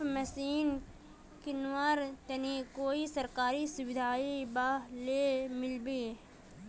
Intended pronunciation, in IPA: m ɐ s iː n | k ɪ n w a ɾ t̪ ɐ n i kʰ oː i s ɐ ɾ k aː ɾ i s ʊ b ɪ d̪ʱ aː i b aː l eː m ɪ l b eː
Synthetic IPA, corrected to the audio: m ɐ s iː n | k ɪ n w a ɾ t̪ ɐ n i k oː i s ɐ ɾ k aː ɾ i s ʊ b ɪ d̪ʱ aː i b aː l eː m ɪ l b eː